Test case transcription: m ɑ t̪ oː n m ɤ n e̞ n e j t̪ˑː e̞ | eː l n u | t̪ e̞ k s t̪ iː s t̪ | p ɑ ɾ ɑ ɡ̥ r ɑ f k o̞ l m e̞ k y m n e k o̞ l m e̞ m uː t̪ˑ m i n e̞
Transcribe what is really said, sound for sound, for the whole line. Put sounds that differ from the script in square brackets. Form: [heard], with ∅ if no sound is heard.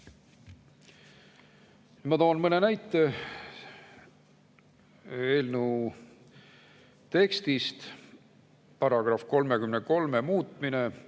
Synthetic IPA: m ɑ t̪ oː n m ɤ n e̞ n [æ] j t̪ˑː e̞ | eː l n u | t̪ e̞ k s t̪ [i] s t̪ | p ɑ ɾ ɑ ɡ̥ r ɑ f k o̞ l m e̞ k y m n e k o̞ l m e̞ m uː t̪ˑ m i n e̞